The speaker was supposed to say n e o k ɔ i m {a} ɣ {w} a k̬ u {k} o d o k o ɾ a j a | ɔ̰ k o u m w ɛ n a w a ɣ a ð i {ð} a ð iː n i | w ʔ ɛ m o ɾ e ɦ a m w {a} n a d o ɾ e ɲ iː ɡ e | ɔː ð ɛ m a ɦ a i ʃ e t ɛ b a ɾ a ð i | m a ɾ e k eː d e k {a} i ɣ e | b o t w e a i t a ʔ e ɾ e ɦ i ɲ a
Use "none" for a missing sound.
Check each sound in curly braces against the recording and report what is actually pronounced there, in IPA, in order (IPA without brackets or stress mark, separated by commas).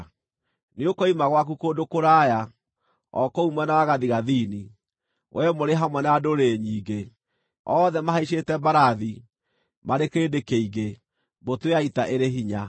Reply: a, w, k, ɣ, ɛ, e